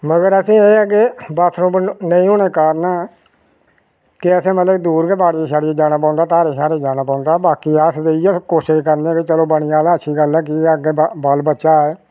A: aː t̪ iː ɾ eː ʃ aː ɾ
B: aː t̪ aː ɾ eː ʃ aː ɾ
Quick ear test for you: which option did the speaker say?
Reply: B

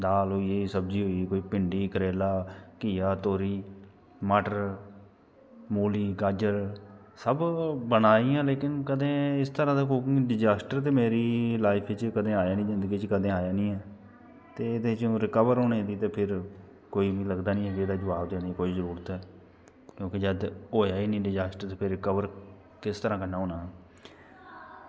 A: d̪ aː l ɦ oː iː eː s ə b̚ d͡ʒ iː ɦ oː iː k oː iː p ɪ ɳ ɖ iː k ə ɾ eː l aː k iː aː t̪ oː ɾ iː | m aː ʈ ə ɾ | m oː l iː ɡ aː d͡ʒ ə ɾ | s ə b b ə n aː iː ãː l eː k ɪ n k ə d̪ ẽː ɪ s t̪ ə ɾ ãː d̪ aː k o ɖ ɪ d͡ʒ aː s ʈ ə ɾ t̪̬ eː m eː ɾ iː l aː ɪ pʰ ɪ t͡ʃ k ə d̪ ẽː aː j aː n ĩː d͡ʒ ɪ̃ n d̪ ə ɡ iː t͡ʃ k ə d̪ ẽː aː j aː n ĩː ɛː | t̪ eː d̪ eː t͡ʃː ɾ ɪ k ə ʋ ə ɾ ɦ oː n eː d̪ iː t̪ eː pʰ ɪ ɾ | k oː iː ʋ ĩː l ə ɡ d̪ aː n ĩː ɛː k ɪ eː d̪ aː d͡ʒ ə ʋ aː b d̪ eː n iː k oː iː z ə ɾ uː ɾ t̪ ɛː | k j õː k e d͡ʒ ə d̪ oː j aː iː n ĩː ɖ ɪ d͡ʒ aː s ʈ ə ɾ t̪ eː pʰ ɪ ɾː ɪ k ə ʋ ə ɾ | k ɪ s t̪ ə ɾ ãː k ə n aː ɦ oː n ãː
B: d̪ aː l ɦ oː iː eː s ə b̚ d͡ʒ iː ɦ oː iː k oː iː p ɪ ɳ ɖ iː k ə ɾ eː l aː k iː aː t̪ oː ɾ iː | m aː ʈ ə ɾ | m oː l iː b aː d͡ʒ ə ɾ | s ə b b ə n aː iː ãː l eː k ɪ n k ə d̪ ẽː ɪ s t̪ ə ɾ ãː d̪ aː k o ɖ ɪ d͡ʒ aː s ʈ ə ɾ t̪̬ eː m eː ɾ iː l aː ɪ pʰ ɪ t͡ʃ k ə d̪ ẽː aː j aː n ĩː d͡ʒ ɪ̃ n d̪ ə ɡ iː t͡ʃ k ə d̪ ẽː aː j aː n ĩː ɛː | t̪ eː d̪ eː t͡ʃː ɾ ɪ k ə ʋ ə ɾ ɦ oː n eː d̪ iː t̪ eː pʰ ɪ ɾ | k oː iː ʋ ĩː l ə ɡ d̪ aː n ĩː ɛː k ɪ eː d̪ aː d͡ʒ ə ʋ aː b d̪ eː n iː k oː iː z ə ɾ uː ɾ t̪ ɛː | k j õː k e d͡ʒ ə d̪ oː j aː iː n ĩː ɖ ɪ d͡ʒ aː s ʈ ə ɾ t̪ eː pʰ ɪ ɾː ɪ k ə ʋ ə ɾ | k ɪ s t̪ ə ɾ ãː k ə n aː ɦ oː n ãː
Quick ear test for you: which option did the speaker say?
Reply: A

